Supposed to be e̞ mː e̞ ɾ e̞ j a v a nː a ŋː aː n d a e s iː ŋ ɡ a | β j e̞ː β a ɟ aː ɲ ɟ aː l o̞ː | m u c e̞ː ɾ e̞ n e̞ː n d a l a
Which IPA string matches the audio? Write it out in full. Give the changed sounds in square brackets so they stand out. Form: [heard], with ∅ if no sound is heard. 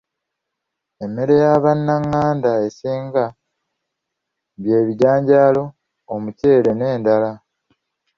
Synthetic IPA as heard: e̞ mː e̞ ɾ e̞ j a [β] a nː a ŋː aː n d a e s iː ŋ ɡ a | β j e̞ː β [i] ɟ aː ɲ ɟ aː l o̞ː | m u c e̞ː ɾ e̞ n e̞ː n d a l a